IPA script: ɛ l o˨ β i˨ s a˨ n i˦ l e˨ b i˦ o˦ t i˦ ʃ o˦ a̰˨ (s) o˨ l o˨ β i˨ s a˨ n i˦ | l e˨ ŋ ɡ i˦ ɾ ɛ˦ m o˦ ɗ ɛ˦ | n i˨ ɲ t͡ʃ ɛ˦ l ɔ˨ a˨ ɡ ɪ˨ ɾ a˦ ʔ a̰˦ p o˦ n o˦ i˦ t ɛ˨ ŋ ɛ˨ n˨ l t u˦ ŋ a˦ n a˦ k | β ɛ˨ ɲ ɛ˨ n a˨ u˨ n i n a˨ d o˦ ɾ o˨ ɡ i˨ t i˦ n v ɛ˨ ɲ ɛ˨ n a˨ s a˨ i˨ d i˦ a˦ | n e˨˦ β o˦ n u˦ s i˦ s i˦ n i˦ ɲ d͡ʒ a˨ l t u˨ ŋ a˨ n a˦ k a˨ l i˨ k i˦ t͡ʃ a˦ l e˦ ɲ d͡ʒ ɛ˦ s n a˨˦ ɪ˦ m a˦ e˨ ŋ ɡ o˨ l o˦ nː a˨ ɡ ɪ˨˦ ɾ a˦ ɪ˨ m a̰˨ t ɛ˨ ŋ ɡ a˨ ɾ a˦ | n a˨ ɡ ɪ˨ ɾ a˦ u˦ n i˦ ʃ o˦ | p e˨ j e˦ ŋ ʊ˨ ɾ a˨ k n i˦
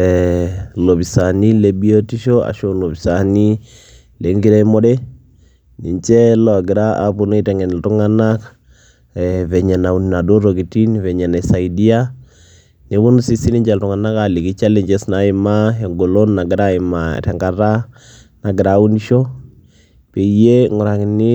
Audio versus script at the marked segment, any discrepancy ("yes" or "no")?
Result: yes